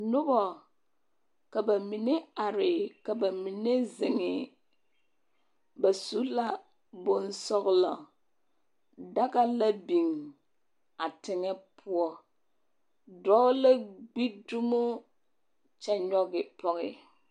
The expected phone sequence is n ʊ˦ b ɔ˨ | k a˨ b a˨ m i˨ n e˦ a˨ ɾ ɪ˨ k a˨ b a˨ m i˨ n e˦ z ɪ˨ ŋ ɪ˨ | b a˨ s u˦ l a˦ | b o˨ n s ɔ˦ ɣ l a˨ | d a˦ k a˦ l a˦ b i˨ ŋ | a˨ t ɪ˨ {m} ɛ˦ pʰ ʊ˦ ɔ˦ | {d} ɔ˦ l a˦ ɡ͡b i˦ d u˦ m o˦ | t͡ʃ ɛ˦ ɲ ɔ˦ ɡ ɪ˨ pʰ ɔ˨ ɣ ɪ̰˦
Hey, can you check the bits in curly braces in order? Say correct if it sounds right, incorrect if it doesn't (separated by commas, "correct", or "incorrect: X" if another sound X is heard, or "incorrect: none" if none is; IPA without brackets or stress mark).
incorrect: ŋ, correct